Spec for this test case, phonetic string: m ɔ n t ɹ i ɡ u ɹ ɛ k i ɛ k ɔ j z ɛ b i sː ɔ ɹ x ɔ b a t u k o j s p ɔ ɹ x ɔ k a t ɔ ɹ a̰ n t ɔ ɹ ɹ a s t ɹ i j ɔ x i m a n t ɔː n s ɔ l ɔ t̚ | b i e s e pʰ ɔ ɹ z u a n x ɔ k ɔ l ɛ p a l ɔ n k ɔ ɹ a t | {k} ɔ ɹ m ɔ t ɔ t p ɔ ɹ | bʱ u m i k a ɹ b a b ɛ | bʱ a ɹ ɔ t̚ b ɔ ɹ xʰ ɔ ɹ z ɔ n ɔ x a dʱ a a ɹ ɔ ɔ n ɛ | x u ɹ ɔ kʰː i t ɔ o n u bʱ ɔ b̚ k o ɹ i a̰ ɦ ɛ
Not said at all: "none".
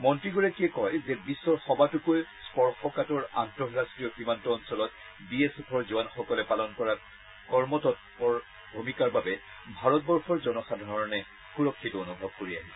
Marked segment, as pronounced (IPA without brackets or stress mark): k